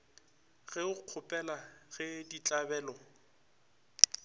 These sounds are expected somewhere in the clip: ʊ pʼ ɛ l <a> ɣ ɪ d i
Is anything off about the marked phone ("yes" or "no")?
no